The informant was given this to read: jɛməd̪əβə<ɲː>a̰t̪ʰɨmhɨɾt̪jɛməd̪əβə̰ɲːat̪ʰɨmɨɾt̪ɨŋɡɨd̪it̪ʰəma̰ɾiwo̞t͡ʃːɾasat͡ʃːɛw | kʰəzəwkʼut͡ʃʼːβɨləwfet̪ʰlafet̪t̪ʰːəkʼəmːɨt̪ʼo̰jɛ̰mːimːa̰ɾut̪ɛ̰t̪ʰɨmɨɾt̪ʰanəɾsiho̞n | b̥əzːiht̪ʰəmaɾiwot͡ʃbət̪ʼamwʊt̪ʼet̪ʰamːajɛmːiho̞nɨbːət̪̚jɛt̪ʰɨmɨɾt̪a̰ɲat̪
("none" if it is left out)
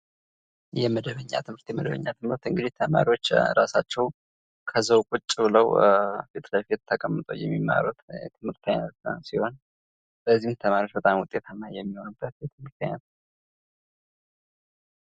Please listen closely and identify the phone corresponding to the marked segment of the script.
ɲː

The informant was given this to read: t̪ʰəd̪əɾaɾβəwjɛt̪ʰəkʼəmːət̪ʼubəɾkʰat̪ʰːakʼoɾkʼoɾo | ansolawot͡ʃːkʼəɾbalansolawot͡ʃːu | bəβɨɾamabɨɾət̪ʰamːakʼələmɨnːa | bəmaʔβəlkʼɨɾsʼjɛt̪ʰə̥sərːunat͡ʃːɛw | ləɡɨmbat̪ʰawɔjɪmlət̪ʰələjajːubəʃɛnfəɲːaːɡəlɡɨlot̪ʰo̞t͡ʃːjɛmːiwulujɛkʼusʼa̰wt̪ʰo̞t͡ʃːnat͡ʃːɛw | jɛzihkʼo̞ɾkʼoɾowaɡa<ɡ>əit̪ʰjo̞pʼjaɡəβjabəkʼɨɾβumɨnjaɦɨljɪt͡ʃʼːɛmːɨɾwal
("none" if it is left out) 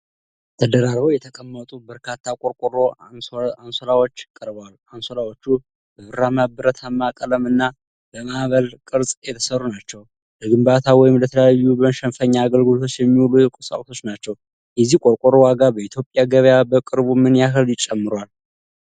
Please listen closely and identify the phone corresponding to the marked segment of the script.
b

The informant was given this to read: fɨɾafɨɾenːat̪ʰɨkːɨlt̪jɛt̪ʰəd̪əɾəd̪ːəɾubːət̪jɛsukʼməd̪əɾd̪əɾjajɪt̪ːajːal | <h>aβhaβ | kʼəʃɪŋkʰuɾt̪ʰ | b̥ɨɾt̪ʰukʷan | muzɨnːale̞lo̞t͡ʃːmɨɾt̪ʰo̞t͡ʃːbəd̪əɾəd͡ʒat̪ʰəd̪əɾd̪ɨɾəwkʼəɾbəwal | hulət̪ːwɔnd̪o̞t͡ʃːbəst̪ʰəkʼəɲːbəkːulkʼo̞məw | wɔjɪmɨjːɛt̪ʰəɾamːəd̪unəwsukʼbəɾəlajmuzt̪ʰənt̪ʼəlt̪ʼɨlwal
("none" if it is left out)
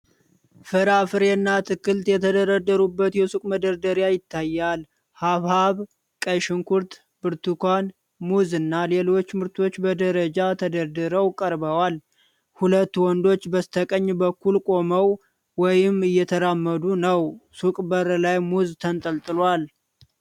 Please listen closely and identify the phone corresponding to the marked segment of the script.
h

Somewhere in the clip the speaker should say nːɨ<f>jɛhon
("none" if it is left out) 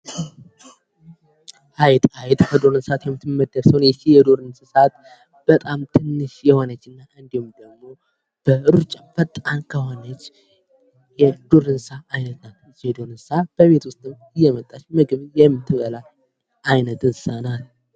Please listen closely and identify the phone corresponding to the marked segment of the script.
ʃ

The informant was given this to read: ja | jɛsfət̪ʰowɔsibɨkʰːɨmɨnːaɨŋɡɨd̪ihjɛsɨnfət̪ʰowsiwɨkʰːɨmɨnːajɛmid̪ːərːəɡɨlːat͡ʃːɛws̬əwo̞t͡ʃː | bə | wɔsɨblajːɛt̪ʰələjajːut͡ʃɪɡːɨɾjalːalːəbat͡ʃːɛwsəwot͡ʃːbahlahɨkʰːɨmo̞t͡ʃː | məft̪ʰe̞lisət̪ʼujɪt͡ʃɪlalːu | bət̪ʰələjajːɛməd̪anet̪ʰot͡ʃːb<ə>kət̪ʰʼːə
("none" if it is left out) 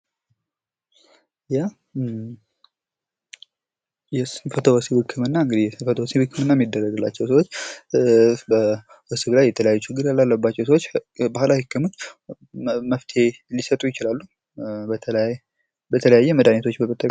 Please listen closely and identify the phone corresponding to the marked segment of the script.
ə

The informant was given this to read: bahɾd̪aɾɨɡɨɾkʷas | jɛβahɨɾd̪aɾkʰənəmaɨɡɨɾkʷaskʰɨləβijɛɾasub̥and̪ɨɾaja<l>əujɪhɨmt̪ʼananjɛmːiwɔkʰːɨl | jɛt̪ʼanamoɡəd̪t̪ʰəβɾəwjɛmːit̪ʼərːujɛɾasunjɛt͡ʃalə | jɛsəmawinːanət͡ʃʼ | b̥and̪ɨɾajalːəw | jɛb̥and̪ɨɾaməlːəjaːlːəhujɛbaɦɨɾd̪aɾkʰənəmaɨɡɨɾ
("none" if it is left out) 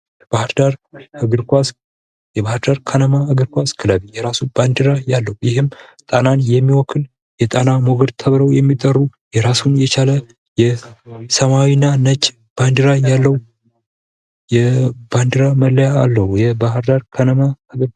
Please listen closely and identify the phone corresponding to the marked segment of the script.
lː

